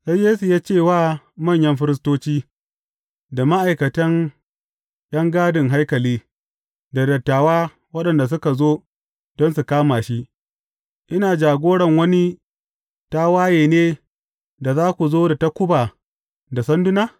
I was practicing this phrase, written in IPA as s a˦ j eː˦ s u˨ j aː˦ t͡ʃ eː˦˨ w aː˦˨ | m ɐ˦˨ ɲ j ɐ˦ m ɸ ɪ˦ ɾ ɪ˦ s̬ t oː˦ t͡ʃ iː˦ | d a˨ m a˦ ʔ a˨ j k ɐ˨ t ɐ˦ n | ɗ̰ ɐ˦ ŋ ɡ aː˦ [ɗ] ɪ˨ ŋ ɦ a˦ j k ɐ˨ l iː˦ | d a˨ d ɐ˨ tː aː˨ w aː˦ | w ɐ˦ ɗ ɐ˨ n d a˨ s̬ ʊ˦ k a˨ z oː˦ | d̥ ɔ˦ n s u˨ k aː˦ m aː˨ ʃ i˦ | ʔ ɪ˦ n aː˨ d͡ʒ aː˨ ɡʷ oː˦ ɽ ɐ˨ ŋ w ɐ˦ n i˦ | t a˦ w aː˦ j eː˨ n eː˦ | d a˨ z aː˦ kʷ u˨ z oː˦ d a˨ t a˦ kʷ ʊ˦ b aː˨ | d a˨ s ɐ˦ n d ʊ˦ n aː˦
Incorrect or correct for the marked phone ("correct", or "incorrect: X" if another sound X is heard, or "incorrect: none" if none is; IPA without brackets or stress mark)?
incorrect: d